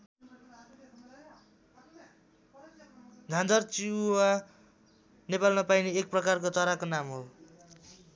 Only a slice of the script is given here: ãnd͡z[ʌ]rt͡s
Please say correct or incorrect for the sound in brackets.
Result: correct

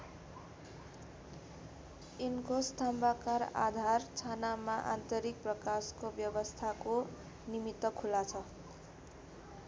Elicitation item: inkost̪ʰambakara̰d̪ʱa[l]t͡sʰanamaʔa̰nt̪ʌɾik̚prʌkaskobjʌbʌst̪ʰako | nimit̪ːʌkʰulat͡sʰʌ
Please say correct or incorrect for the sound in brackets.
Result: incorrect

